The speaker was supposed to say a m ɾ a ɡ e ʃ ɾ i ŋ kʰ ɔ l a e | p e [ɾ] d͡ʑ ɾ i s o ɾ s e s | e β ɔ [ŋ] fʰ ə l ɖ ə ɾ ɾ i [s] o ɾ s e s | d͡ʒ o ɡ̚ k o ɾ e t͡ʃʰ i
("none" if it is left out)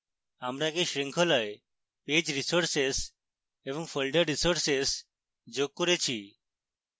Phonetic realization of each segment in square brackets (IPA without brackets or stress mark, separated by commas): none, ŋ, s